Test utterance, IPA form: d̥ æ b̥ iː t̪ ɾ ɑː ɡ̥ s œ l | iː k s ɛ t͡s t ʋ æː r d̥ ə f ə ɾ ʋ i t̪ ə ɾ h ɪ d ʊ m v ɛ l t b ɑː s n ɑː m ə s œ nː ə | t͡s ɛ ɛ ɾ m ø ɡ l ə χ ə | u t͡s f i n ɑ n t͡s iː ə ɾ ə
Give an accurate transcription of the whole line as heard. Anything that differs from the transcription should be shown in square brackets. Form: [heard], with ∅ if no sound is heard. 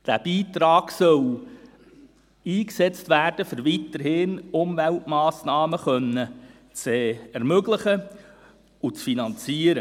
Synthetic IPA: d̥ æ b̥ iː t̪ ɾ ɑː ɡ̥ s œ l | iː k s ɛ t͡s t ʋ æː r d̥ ə f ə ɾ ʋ i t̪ ə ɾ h ɪ [n] ʊ m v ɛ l t [m] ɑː s n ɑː m ə [χ] œ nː ə | t͡s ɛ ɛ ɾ m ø ɡ l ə χ ə | u t͡s f i n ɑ n t͡s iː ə ɾ ə

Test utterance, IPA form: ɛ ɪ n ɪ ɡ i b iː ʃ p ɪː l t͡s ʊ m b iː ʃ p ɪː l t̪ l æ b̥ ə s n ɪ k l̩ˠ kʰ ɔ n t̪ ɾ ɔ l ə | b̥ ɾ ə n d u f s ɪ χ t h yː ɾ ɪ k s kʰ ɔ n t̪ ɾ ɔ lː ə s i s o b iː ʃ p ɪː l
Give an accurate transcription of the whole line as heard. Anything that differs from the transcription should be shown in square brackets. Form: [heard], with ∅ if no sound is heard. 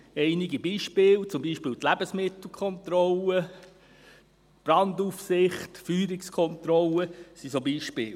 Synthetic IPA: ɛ ɪ n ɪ ɡ i b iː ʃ p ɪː l t͡s ʊ m b iː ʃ p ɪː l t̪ l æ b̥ ə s [m] ɪ [t] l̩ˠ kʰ ɔ n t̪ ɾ ɔ l ə | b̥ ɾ [ɑ] n d u f s ɪ χ t [f] yː ɾ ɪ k s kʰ ɔ n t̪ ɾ ɔ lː ə s i s o b iː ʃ p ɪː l

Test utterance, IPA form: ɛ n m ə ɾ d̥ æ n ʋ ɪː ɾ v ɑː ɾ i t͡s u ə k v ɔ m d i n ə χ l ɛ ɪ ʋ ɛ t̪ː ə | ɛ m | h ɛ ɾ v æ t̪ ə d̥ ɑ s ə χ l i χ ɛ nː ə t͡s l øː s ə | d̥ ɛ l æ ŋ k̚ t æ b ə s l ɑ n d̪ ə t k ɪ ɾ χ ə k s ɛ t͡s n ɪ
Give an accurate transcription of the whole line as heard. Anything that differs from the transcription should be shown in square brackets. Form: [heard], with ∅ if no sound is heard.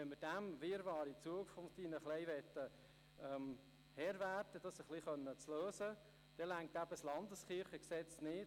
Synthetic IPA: ɛ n m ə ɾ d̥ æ [m] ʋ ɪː ɾ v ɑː ɾ i t͡s u ə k [f] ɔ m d i n ə χ l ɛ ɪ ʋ ɛ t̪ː ə | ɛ m | h ɛ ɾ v æ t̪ ə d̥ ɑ s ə χ l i χ [œ] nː ə t͡s l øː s ə | d̥ ɛ l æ ŋ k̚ t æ b ə s l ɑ n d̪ ə [s] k ɪ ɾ χ ə k s ɛ t͡s n ɪ

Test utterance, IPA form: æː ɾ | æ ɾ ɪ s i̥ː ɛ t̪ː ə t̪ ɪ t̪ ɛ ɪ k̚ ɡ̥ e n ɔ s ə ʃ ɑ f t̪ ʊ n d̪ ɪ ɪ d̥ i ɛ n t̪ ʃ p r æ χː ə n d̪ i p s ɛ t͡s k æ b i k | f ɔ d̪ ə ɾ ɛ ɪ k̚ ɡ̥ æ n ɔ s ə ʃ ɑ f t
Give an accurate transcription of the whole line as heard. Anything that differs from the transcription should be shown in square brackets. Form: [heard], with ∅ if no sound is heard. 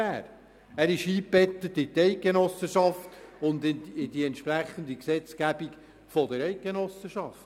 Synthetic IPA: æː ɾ | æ ɾ ɪ [ʃ] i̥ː ɛ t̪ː ə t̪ ɪ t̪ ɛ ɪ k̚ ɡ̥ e n ɔ s ə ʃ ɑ f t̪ ʊ n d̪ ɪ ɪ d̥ i ɛ n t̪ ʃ p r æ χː ə n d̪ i [k] s ɛ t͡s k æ b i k | f ɔ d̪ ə ɾ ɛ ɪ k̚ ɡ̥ [e] n ɔ s ə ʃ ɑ f t

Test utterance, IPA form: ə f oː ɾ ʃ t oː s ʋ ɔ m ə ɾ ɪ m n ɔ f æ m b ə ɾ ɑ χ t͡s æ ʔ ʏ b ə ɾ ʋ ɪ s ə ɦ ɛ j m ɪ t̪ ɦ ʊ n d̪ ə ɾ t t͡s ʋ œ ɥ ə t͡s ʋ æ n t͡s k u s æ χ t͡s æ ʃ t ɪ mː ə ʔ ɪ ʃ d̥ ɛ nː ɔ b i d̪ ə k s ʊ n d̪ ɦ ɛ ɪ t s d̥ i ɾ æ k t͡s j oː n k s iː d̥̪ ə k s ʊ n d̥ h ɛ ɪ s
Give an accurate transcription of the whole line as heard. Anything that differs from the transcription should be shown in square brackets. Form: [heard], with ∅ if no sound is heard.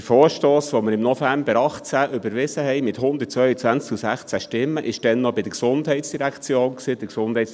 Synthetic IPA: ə f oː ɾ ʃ t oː s ʋ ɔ m ə ɾ ɪ m n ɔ f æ m b ə ɾ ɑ χ t͡s æ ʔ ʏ b ə ɾ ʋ ɪ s ə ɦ ɛ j m ɪ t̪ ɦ ʊ n d̪ ə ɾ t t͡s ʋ œ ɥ ə t͡s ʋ æ n t͡s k u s æ χ t͡s æ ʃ t ɪ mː ə ʔ ɪ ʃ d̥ ɛ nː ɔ b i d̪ ə k s ʊ n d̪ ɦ ɛ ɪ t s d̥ i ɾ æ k t͡s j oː n k s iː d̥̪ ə k s ʊ n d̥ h ɛ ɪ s

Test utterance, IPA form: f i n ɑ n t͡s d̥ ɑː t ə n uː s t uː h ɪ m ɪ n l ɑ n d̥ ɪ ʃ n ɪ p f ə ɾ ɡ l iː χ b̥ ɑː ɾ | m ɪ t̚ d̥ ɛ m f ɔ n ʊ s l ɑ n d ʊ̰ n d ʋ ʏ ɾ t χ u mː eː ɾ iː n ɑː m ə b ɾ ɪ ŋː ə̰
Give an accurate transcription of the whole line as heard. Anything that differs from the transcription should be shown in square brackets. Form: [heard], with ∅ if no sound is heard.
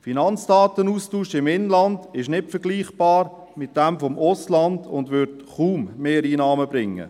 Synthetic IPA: f i n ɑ n t͡s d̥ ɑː t ə n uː s t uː [ʃ] ɪ m ɪ n l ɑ n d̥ ɪ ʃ n ɪ [t] f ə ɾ ɡ l iː χ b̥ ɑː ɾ | m ɪ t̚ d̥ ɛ m f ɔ [m] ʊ s l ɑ n d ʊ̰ n d ʋ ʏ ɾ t χ [uː] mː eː ɾ iː n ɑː m ə b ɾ ɪ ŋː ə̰

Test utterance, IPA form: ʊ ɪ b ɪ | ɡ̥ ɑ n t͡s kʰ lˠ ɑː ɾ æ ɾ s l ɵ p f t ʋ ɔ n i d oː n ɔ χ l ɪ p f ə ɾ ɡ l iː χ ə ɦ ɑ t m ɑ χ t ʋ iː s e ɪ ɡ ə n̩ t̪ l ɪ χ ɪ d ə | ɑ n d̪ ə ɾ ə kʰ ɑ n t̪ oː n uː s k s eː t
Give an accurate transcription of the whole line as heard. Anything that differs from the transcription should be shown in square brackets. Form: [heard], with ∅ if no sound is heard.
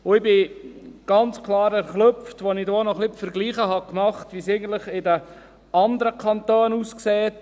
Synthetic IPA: ʊ ɪ b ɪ | ɡ̥ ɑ n t͡s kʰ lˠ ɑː ɾ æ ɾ [χ] l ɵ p f t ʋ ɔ n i d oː n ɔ χ l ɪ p f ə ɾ ɡ l iː χ ə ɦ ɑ [k] m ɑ χ t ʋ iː s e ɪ ɡ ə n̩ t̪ l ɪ χ ɪ d ə | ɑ n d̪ ə ɾ ə kʰ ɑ n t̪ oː n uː s k s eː t

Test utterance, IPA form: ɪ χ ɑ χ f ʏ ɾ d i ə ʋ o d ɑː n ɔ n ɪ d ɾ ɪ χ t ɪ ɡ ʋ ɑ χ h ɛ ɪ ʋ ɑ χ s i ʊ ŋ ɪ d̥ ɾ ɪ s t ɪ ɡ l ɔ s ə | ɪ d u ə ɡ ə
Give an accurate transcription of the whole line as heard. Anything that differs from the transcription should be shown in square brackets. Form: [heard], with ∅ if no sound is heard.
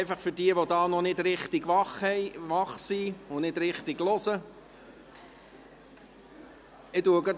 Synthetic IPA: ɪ [f] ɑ χ f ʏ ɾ d i ə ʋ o d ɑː n ɔ n ɪ d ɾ ɪ χ t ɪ ɡ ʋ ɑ χ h ɛ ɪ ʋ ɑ χ s i ʊ [n] ɪ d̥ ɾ ɪ [χ] t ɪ ɡ l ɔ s ə | ɪ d u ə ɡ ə

